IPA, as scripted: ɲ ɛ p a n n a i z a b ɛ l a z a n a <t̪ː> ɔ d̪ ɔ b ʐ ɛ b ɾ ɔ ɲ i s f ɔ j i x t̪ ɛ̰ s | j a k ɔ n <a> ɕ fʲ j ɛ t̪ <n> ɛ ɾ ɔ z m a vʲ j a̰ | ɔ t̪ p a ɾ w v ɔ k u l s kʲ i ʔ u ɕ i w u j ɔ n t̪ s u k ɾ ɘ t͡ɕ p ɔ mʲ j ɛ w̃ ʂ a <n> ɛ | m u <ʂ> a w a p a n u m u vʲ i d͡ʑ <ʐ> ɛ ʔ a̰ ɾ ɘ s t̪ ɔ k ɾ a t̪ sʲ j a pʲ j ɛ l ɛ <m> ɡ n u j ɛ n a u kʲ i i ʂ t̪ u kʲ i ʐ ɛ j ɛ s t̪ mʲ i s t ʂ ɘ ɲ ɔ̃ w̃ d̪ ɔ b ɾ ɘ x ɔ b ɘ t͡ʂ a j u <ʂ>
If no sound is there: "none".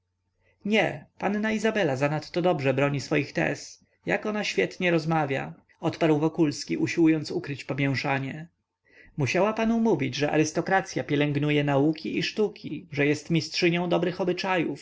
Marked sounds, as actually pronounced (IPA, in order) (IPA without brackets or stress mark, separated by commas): t̪ː, a, ɲ, ɲ, ɕ, ʐ, ŋ, f